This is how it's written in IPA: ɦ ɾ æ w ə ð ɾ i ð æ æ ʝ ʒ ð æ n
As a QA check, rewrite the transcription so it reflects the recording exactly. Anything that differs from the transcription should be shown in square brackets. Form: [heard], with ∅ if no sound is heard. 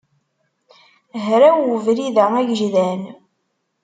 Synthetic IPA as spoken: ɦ ɾ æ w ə [v] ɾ i ð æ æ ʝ ʒ ð æ n